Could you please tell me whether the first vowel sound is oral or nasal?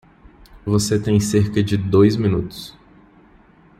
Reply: oral